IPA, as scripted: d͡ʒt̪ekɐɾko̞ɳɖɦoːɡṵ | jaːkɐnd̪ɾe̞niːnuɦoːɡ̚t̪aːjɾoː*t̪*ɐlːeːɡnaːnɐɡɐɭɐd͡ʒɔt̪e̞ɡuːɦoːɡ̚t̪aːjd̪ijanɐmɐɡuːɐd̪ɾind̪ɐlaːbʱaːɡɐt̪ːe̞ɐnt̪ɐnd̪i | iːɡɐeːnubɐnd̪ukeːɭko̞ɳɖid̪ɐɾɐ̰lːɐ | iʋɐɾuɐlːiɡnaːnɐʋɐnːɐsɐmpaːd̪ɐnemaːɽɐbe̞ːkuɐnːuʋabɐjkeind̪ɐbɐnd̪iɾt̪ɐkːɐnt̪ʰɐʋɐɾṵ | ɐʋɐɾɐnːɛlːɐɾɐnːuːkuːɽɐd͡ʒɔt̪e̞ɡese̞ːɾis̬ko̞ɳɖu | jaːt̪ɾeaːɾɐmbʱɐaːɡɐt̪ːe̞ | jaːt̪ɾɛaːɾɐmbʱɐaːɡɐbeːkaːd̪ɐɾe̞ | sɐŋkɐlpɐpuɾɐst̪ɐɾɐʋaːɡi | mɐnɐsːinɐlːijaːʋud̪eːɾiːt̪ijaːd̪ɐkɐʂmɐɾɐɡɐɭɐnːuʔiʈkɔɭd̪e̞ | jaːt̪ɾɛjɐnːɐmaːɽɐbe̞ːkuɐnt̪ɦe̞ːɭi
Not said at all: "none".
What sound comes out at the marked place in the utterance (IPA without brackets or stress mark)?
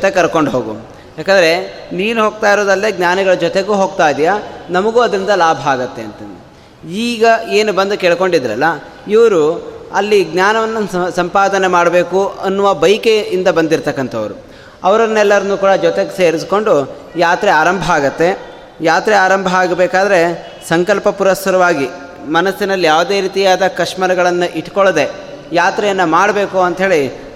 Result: d̪